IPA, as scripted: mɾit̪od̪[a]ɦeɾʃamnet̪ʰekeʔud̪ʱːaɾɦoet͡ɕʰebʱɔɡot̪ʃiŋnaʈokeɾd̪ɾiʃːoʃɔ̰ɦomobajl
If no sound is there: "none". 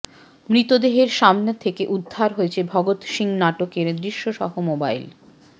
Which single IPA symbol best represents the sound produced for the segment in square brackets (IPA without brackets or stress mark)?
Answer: e